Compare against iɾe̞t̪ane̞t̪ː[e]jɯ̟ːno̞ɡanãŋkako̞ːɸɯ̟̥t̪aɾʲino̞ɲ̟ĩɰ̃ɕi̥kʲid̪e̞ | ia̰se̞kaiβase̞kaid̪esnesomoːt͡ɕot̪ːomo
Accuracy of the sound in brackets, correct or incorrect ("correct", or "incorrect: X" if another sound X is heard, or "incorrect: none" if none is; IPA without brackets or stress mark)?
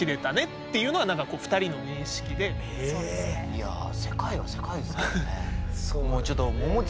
correct